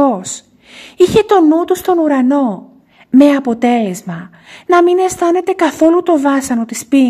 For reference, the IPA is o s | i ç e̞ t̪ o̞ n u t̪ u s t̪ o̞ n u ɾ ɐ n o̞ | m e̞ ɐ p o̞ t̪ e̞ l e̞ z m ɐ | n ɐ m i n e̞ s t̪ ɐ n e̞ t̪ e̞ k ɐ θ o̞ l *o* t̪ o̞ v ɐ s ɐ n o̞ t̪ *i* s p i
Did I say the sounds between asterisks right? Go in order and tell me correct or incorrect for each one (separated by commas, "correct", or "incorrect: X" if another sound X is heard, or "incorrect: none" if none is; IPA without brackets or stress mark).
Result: incorrect: u, correct